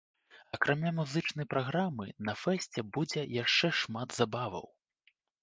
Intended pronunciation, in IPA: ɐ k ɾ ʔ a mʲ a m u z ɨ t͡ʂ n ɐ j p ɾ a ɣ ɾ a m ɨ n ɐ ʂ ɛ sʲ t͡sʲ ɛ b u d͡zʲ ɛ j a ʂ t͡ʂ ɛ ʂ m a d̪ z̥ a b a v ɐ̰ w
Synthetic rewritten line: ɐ k ɾ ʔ a mʲ a m u z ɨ t͡ʂ n ɐ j p ɾ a ɣ ɾ a m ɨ n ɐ f ɛ sʲ t͡sʲ ɛ b u d͡zʲ ɛ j a ʂ t͡ʂ ɛ ʂ m a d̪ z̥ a b a v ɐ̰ w